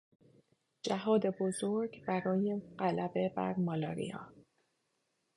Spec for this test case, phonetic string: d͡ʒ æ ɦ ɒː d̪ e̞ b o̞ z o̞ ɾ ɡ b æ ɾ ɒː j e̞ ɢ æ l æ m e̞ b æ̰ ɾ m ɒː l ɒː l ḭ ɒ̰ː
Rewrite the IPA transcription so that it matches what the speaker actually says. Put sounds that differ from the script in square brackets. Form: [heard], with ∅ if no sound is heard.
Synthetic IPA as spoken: d͡ʒ æ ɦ ɒː d̪ e̞ b o̞ z o̞ ɾ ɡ b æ ɾ ɒː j e̞ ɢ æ l æ [b] e̞ b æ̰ ɾ m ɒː l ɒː [ɾ] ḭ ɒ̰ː